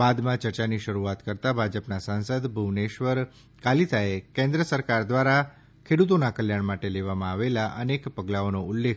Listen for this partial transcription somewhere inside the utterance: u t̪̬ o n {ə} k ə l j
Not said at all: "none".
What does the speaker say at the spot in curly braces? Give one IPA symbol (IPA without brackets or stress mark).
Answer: a